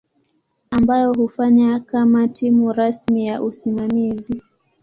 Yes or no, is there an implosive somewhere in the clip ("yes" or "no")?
no